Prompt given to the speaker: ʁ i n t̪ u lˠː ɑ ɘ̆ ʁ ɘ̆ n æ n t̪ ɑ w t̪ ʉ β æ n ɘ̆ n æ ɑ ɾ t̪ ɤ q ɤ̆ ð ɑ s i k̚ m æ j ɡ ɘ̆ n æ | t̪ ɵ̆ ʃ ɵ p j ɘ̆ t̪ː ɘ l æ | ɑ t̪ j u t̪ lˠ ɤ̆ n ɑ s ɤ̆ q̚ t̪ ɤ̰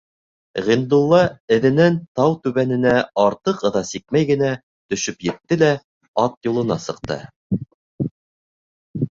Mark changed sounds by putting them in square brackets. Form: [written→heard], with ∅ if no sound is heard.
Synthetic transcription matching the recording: ʁ i n [t̪→d̪] u lˠː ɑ ɘ̆ [ʁ→ð] ɘ̆ n æ n t̪ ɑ w t̪ ʉ β æ n ɘ̆ n æ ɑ ɾ t̪ ɤ q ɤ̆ ð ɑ s i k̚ m æ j ɡ ɘ̆ n æ | t̪ ɵ̆ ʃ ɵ p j ɘ̆ t̪ː ɘ l æ | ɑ t̪ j u [t̪→∅] lˠ ɤ̆ n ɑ s ɤ̆ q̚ t̪ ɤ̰

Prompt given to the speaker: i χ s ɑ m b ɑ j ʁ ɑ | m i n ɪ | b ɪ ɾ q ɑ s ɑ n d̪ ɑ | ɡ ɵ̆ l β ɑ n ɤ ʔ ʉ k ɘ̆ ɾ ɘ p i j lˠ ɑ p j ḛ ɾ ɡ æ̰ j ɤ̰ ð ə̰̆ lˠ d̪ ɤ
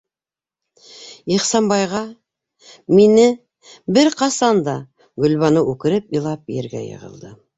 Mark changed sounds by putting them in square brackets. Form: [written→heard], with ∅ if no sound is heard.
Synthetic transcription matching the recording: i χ s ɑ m b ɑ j ʁ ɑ | m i n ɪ | b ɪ ɾ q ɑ s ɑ n d̪ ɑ | ɡ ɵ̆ l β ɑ n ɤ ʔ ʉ k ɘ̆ ɾ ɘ p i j lˠ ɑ p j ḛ ɾ ɡ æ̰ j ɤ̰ [ð→ʁ] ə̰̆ lˠ d̪ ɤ

